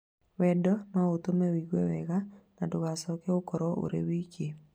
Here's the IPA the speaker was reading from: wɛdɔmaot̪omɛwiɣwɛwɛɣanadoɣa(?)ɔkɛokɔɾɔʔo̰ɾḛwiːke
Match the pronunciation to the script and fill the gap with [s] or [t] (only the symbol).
s